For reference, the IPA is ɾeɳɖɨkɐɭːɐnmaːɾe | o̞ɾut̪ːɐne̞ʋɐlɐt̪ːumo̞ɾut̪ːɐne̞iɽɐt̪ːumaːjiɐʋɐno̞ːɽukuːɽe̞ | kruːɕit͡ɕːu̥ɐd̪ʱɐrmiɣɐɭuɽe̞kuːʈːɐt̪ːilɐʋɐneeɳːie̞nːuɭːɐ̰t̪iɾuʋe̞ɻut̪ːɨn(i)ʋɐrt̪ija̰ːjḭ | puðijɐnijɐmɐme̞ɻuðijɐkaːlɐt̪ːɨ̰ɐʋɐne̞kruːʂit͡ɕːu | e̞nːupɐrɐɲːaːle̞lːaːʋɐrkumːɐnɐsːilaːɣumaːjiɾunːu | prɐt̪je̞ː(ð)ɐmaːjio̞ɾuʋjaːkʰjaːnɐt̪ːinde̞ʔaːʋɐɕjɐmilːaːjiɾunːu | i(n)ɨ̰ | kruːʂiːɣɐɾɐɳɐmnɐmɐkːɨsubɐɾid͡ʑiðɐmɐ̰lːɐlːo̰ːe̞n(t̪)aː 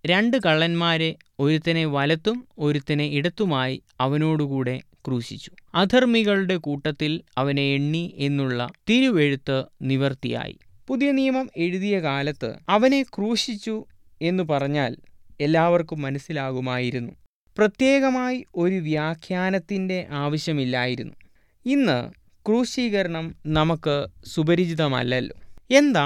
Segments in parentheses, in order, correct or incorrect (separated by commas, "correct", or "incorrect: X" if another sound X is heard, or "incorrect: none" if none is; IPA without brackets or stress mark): correct, incorrect: ɣ, incorrect: nː, incorrect: d̪